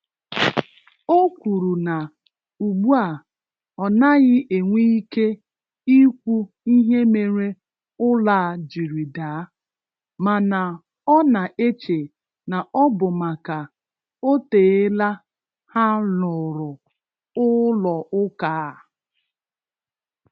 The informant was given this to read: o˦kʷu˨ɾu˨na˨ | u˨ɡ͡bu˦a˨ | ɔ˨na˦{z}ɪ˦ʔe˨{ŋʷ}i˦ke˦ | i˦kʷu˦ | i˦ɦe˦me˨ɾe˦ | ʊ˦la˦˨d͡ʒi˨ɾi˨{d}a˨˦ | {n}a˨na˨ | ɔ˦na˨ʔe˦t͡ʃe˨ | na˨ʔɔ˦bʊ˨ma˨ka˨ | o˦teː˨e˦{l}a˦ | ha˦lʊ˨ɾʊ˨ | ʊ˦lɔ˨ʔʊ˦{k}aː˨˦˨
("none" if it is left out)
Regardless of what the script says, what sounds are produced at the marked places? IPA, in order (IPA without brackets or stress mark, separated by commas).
ɣ, ŋʷ, d, m, l, k